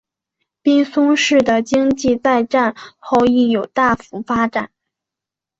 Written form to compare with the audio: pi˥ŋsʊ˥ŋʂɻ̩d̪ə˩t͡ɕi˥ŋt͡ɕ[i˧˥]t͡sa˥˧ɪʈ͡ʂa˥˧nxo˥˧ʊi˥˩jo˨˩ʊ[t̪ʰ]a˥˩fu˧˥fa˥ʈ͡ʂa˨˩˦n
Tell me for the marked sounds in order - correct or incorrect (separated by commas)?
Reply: incorrect, incorrect